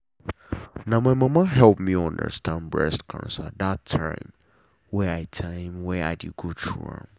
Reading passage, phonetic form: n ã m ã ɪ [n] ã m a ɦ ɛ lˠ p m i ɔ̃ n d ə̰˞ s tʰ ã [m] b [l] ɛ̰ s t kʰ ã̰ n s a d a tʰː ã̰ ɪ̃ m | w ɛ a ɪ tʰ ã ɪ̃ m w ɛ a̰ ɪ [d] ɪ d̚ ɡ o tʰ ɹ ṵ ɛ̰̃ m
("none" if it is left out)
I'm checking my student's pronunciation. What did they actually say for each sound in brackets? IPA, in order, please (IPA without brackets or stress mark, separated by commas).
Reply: m, n, ɹ, d